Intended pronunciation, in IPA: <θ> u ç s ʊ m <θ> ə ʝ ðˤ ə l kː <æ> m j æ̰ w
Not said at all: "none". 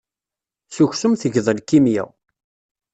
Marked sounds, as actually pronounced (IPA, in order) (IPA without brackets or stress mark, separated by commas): s, θ, i